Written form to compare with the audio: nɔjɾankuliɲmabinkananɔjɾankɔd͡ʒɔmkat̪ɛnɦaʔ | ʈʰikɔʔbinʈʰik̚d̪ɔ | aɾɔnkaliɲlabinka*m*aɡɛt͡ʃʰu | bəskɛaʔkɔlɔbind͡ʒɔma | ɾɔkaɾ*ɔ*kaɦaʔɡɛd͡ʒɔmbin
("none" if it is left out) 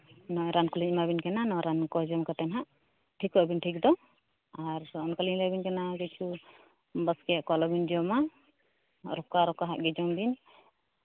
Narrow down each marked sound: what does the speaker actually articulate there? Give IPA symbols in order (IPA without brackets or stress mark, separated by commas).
n, ɔ